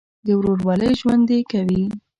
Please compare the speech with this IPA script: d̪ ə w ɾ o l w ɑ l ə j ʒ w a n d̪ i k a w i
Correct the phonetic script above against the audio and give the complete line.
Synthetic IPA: d̪ ə w ɾ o ɾ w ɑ l ə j ʒ w a n d̪ e k a w i